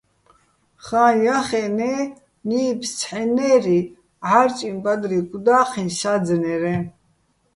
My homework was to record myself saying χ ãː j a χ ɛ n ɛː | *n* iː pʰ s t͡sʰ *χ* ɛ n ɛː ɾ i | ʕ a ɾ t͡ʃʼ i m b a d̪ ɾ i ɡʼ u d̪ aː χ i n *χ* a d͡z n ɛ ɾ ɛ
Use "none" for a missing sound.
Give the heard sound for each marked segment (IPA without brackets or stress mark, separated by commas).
n, ħ, ʃ